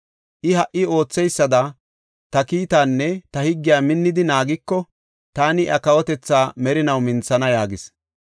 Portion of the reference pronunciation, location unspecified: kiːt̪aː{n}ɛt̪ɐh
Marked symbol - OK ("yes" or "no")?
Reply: no